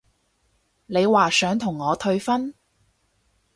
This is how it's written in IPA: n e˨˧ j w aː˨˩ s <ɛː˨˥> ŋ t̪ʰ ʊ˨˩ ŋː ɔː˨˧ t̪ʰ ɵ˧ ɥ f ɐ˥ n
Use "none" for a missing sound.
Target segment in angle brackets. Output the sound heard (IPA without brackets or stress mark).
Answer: œː˨˥